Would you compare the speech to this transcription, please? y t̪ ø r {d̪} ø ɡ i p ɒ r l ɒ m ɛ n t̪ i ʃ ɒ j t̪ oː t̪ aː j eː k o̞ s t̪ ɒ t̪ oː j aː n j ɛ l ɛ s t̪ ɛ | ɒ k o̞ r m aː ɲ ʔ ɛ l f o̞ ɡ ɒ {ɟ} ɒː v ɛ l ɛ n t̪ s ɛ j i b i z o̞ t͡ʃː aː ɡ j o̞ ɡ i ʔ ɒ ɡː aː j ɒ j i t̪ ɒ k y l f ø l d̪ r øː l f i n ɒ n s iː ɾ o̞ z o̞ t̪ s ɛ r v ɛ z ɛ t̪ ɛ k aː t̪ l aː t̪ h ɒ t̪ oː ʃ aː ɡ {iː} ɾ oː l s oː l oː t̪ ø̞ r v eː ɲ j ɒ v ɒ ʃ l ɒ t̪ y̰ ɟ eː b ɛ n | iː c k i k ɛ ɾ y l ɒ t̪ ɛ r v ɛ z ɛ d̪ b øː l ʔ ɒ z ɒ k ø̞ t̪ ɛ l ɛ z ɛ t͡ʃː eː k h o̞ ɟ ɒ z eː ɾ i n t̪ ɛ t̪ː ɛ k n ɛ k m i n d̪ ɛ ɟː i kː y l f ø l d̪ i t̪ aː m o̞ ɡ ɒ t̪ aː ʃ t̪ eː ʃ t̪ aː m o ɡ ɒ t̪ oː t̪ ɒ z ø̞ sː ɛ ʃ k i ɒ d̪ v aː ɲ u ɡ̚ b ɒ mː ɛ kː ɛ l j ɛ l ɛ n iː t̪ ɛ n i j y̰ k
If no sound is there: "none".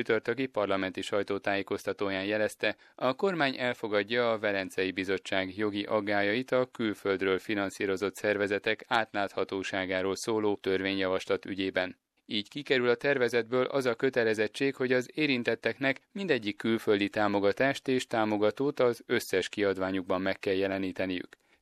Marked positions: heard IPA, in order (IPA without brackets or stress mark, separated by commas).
t̪, ɟː, aː